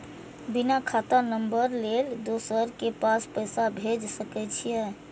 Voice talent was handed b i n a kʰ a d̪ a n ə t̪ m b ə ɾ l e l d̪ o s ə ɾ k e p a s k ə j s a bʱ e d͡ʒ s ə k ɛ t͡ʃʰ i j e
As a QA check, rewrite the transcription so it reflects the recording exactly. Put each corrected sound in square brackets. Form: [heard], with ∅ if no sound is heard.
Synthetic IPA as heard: b i n a kʰ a [t̪] a n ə [∅] m b ə ɾ l e l d̪ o s ə ɾ k e p a s [p] ə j s a bʱ e d͡ʒ s ə k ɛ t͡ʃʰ i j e